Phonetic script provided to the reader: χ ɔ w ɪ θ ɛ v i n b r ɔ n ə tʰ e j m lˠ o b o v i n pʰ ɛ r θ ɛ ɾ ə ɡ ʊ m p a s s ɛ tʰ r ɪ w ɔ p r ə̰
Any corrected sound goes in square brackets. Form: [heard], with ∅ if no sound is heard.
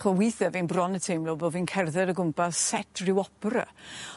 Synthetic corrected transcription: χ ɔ w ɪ θ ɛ v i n b r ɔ n ə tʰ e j m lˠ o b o v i n [kʰ] ɛ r [ð] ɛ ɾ ə ɡ ʊ m p a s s ɛ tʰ r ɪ w ɔ p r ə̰

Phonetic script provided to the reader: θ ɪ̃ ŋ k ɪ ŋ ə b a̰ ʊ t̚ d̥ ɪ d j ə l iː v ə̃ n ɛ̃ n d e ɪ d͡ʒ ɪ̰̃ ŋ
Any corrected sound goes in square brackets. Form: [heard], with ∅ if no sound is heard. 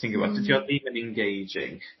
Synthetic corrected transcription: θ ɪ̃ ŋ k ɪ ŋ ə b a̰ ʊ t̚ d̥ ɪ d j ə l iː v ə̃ n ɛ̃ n [ɡ] e ɪ d͡ʒ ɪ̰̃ ŋ

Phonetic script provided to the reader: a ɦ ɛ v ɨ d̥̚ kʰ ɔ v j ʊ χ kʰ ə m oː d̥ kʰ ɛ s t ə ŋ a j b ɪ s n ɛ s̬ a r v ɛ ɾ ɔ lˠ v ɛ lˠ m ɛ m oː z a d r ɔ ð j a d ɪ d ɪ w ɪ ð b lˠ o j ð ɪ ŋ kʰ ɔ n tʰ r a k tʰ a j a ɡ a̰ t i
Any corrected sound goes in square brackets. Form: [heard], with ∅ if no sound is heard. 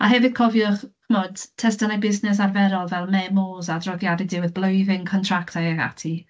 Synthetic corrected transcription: a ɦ ɛ v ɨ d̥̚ kʰ ɔ v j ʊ χ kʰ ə m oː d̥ [tʰ] ɛ s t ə [n] a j b ɪ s n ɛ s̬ a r v ɛ ɾ ɔ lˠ v ɛ lˠ m ɛ m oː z a d r ɔ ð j a d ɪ d ɪ w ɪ ð b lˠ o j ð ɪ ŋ kʰ ɔ n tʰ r a k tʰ a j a ɡ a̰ [tʰ] i

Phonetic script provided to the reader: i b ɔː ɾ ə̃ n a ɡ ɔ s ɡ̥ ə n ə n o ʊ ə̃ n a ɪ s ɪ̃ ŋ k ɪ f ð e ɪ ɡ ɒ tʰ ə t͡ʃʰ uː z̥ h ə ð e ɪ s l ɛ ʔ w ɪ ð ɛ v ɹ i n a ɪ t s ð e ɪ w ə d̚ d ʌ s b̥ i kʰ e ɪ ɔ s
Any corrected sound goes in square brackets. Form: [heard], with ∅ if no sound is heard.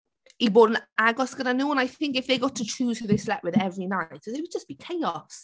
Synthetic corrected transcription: i b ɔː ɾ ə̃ n a ɡ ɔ s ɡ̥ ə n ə n o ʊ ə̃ n a ɪ [θ] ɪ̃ ŋ k ɪ f ð e ɪ ɡ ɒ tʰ ə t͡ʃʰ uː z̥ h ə ð e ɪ s l ɛ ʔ w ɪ ð ɛ v ɹ i n a ɪ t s ð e ɪ w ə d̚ [d͡ʒ] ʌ s b̥ i kʰ e ɪ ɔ s

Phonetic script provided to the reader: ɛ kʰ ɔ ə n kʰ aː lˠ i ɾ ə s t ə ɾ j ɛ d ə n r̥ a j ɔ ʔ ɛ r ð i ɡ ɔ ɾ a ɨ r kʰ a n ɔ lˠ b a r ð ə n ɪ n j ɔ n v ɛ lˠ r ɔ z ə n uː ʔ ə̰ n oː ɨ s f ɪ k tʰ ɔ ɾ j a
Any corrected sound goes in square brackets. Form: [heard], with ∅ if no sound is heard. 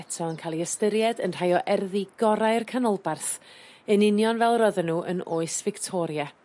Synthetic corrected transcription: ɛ [tʰ] ɔ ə n kʰ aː lˠ i [∅] ə s t ə ɾ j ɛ d ə n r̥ a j ɔ ʔ ɛ r ð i ɡ ɔ ɾ a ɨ r kʰ a n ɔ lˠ b a r [θ] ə n ɪ n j ɔ n v ɛ lˠ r ɔ [ð] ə n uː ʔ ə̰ n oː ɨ s [v] ɪ k tʰ ɔ ɾ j a

